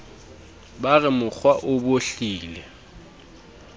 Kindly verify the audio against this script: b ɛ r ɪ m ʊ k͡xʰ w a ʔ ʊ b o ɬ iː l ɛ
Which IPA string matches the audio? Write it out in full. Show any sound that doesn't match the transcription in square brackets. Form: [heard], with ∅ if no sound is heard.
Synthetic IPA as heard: b [a] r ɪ m ʊ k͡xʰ w a ʔ ʊ b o ɬ iː l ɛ